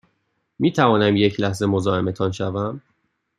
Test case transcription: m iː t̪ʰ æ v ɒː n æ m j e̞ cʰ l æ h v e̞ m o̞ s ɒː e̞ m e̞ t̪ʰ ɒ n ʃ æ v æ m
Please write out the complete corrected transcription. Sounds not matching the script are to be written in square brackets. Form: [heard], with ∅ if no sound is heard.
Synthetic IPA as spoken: m iː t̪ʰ æ v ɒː n æ m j e̞ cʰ l æ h [z] e̞ m o̞ [z] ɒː e̞ m e̞ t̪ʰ ɒ n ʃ æ v æ m

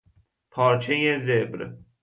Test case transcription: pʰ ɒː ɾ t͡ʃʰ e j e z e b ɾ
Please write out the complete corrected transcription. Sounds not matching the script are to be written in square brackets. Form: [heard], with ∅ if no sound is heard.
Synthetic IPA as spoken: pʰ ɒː ɾ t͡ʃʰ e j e z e b ɾ

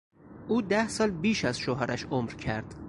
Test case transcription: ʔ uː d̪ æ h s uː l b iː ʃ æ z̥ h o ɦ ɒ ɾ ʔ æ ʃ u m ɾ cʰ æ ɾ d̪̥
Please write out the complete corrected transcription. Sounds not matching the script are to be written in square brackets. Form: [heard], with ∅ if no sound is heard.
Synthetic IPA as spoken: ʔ uː d̪ æ h s [ɒː] l b iː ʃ æ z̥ [ʃ] o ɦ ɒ ɾ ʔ æ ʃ [o] m ɾ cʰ æ ɾ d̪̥

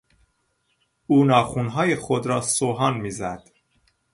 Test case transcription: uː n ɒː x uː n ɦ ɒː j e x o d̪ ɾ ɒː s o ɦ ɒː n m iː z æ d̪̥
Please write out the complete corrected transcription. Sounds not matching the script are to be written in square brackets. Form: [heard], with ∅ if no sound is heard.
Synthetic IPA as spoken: uː n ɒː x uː n ɦ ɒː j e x o d̪ ɾ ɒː s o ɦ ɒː n m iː z æ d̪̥

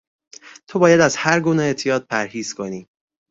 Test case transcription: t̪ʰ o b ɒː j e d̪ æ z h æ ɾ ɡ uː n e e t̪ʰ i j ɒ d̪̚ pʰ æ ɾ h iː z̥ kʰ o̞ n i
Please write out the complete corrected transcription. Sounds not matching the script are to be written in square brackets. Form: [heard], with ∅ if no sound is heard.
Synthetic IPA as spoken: t̪ʰ o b ɒː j [æ] d̪ æ z h æ ɾ ɡ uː n e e t̪ʰ i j [ɒː] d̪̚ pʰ æ ɾ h iː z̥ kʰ o̞ n [iː]

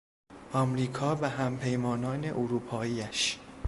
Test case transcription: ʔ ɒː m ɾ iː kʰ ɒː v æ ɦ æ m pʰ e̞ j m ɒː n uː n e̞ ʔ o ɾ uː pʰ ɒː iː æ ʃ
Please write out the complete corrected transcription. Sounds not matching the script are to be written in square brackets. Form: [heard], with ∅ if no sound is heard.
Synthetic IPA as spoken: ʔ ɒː m ɾ iː kʰ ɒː v æ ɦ æ m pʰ e̞ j m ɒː n [ɒː] n e̞ ʔ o ɾ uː pʰ ɒː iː æ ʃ

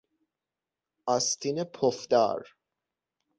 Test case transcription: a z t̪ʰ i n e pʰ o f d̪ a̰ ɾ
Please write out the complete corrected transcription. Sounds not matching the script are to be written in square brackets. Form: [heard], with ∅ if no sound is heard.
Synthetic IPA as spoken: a [s] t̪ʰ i n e pʰ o f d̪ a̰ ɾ

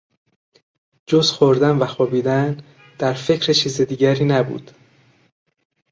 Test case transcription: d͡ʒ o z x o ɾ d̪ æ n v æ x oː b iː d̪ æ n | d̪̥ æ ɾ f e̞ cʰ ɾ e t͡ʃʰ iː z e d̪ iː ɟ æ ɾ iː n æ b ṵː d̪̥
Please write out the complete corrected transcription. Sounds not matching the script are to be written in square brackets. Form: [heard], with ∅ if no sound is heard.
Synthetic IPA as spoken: d͡ʒ o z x o ɾ d̪ æ n v æ x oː b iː d̪ æ n | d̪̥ æ ɾ f e̞ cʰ ɾ e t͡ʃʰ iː z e d̪ iː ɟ æ ɾ iː n æ b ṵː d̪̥

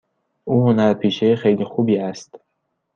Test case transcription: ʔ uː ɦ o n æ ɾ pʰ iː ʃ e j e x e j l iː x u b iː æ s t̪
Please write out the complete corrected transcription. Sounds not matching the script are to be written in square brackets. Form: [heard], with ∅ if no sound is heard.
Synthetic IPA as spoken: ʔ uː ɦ o n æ ɾ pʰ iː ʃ e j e x e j l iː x u b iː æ s t̪

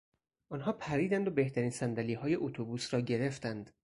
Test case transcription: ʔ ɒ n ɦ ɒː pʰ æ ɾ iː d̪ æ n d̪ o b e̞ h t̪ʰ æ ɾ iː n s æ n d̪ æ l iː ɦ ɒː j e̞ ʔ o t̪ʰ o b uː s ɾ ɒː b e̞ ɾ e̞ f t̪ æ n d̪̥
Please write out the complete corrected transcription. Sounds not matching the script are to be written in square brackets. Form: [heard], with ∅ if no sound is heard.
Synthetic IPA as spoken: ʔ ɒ n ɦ ɒː pʰ æ ɾ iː d̪ æ n d̪ o b e̞ h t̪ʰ æ ɾ iː n s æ n d̪ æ l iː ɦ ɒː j e̞ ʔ o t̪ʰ o b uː s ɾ ɒː [ɟ] e̞ ɾ e̞ f t̪ æ n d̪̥

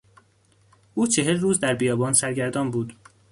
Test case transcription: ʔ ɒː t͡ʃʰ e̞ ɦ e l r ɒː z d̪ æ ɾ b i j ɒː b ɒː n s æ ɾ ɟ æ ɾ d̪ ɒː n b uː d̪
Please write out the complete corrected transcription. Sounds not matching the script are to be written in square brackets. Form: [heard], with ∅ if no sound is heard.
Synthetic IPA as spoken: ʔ [uː] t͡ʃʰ e̞ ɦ e l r [uː] z d̪ æ ɾ b i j ɒː b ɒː n s æ ɾ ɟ æ ɾ d̪ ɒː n b uː d̪

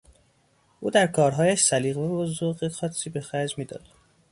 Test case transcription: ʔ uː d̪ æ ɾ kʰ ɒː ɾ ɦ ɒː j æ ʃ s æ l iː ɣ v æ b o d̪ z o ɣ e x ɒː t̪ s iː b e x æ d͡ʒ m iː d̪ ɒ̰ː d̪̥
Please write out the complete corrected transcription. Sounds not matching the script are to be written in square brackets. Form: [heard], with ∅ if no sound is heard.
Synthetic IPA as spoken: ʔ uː d̪ æ ɾ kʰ ɒː ɾ ɦ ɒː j æ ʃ s æ l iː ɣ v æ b o [∅] z o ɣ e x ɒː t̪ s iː b e x æ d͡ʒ m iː d̪ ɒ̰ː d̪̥

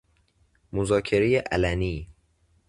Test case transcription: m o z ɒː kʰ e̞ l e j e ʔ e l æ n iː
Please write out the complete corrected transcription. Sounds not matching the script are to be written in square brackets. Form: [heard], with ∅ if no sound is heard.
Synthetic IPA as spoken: m o z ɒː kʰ e̞ [ɾ] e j e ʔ [æ] l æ n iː

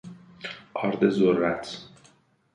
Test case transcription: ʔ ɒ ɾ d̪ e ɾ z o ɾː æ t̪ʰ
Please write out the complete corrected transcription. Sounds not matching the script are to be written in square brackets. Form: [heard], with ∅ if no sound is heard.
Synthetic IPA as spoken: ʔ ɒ ɾ d̪ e [∅] z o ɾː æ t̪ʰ

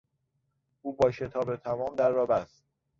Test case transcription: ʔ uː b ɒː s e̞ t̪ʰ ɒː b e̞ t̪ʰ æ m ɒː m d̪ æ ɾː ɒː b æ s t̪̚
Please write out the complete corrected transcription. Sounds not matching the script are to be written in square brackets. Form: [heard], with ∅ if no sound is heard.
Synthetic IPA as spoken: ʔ uː b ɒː [ʃ] e̞ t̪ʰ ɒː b e̞ t̪ʰ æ m ɒː m d̪ æ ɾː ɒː b æ s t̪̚

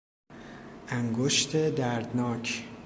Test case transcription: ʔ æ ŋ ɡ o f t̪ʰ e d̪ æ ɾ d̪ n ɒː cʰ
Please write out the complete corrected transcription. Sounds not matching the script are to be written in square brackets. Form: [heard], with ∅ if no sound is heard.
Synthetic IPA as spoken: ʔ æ ŋ ɡ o [ʃ] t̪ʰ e d̪ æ ɾ d̪ n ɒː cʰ

